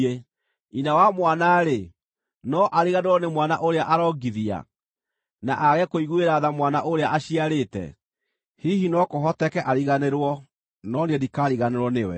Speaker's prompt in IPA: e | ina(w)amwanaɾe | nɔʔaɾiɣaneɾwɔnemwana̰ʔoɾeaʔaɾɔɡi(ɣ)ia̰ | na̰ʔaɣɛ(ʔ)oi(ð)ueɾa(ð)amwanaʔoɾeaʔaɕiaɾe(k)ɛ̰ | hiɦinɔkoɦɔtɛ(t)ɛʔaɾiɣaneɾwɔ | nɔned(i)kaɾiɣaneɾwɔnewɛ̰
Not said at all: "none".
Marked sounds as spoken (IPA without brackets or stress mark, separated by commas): w, ð, k, ɣ, ð, t, k, i